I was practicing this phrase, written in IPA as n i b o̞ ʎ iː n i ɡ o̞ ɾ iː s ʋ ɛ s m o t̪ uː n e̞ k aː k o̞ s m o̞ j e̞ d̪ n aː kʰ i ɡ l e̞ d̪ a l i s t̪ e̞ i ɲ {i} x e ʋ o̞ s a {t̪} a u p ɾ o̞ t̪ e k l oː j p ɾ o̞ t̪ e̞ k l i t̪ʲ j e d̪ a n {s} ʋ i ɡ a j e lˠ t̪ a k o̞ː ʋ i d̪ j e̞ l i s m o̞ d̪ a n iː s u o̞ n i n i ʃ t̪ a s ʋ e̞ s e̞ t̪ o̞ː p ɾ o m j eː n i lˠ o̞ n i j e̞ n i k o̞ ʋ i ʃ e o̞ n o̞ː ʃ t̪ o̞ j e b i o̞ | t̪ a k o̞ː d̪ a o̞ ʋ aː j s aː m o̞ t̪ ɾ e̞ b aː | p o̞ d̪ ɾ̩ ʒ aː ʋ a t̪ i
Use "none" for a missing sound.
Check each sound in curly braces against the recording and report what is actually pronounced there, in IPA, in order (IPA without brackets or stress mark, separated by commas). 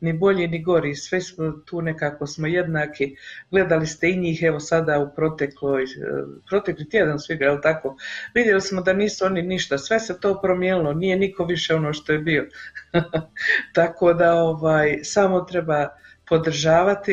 iː, d̪, s